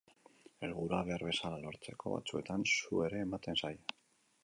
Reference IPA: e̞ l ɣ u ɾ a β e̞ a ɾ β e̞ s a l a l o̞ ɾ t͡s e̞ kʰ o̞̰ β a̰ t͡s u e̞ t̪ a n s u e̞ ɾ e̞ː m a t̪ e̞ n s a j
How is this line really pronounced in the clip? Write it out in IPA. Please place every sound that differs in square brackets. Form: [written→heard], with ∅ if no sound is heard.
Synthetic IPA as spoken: e̞ l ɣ u ɾ a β e̞ a ɾ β e̞ s a l a l o̞ ɾ t͡s e̞ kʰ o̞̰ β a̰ t͡s u e̞ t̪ a n s u e̞ ɾ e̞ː m a t̪ e̞ n s a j

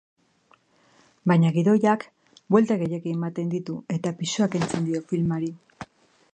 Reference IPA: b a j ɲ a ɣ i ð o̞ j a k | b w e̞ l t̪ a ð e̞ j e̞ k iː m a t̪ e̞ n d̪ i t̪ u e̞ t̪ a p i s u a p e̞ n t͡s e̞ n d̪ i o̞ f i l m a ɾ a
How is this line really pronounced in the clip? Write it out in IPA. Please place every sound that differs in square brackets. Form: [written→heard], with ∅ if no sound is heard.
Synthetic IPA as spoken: b a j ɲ a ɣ i ð o̞ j a k | b w e̞ l t̪ a [ð→ɣ] e̞ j e̞ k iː m a t̪ e̞ n d̪ i t̪ u e̞ t̪ a p i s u a [p→k] e̞ n t͡s e̞ n d̪ i o̞ f i l m a ɾ [a→i]

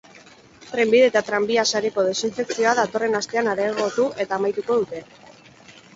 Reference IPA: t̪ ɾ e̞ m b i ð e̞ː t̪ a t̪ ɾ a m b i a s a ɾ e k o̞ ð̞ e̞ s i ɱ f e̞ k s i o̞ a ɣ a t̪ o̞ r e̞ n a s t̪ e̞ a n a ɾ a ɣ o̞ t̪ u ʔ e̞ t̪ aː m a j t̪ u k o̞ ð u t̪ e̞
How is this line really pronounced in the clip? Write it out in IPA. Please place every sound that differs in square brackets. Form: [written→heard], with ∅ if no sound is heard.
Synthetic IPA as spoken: t̪ ɾ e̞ m b i ð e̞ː t̪ a t̪ ɾ a m b i a s a ɾ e k o̞ ð̞ e̞ s i ɱ f e̞ k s i o̞ a [ɣ→ð] a t̪ o̞ r e̞ n a s t̪ e̞ a n a ɾ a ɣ o̞ t̪ u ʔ e̞ t̪ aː m a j t̪ u k o̞ ð u t̪ e̞

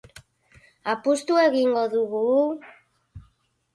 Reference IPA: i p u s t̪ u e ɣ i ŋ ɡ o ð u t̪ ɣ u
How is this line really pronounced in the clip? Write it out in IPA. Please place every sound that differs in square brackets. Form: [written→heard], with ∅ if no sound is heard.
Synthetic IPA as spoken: [i→a] p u s t̪ u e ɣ i ŋ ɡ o ð u [t̪→∅] ɣ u

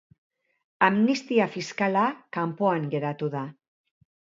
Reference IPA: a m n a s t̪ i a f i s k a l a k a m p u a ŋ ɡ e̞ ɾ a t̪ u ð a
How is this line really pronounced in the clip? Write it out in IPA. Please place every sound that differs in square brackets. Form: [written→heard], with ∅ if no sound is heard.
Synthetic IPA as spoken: a m n [a→i] s t̪ i a f i s k a l a k a m p [u→o] a ŋ ɡ e̞ ɾ a t̪ u ð a

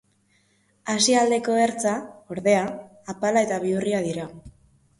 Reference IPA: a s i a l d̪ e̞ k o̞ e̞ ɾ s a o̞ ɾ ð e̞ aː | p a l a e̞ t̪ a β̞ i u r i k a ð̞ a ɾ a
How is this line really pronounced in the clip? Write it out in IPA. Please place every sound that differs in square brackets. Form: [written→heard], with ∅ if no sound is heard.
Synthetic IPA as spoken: a s i a l d̪ e̞ k o̞ e̞ ɾ [s→t͡s] a o̞ ɾ ð e̞ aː | p a l a e̞ t̪ a β̞ i u r i [k→∅] a ð̞ [a→i] ɾ a

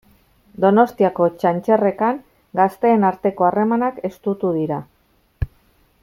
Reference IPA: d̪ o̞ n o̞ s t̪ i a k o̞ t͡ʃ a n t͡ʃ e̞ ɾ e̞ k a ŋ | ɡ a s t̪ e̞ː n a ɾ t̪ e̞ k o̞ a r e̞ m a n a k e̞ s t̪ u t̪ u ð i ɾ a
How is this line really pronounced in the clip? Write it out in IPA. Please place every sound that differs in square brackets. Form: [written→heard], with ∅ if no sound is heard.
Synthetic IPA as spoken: d̪ o̞ n o̞ s t̪ i a k o̞ t͡ʃ a n t͡ʃ e̞ [ɾ→r] e̞ k a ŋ | ɡ a s t̪ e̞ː n a ɾ t̪ e̞ k o̞ a r e̞ m a n a k e̞ s t̪ u t̪ u ð i ɾ a

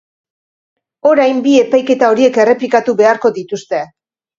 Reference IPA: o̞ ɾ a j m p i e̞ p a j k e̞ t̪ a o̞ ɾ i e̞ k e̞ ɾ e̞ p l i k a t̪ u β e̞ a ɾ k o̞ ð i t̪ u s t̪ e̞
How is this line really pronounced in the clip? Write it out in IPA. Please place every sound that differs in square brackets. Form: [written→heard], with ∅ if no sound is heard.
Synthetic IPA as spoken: o̞ ɾ a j m [p→b] i e̞ p a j k e̞ t̪ a o̞ ɾ i e̞ k e̞ [ɾ→r] e̞ p l i k a t̪ u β e̞ a ɾ k o̞ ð i t̪ u s t̪ e̞

